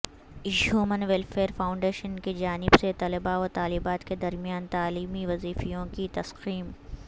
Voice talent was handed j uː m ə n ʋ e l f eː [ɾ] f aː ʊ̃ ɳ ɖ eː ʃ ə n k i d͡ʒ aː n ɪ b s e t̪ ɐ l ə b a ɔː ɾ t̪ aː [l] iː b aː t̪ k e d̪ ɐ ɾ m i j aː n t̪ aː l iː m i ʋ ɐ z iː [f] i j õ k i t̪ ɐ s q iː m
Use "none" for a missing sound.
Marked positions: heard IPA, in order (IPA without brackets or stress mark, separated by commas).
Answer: ɾ, l, f